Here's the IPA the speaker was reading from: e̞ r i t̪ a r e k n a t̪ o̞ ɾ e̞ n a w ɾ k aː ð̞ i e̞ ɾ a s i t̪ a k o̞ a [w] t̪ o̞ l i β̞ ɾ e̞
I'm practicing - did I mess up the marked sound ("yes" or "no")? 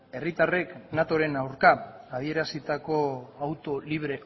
no